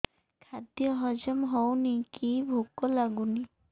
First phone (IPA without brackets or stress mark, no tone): kʰ